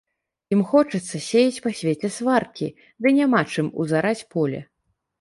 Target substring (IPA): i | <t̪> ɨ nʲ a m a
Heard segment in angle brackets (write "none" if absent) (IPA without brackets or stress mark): d̪